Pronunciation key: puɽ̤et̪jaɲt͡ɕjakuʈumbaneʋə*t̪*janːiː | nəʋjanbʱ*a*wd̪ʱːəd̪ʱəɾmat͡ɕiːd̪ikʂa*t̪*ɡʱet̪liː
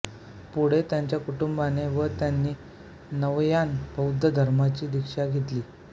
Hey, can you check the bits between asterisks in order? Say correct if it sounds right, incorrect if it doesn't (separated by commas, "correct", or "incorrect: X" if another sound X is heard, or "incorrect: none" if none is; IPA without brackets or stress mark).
correct, incorrect: ə, incorrect: none